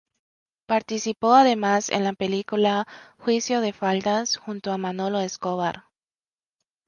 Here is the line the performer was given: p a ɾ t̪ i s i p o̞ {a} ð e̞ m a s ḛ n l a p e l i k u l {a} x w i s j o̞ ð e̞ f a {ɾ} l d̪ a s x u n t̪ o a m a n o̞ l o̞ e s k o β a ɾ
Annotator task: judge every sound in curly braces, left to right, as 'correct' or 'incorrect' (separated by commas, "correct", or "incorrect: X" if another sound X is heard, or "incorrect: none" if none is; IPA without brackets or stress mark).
correct, correct, incorrect: none